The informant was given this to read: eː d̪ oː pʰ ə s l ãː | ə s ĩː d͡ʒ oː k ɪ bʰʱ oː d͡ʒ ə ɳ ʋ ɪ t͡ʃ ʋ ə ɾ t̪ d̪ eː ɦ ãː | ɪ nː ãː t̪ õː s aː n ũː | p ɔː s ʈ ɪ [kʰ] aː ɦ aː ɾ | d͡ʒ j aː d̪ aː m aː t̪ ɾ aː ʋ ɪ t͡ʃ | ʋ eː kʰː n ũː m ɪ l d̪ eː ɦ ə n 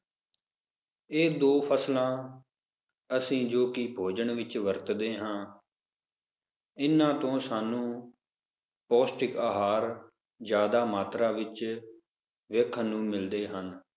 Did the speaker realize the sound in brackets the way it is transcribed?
no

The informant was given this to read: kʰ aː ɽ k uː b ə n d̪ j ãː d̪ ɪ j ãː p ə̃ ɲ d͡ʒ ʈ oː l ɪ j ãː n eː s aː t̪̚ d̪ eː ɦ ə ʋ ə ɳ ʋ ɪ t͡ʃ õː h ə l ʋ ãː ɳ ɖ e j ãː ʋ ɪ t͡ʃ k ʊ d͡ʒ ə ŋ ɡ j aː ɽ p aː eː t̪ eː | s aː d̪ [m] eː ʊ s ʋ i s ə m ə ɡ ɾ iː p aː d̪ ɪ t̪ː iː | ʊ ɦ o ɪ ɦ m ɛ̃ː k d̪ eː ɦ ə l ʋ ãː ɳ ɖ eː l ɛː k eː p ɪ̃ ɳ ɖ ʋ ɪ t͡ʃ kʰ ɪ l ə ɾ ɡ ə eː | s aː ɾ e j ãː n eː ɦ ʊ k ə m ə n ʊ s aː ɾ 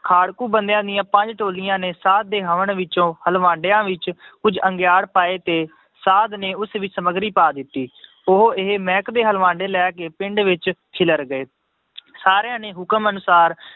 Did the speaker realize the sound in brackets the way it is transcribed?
no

